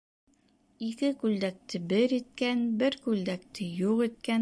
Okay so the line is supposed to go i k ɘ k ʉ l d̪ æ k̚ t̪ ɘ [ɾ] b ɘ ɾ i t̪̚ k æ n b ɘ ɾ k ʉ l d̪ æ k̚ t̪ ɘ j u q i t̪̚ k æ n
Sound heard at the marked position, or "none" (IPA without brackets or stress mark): none